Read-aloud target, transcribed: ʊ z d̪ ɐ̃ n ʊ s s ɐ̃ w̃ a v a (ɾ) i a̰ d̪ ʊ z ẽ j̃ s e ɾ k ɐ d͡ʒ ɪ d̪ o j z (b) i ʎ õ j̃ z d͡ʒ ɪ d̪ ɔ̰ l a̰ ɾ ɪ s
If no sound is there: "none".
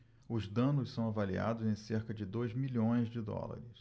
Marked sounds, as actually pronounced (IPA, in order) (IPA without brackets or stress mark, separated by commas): l, m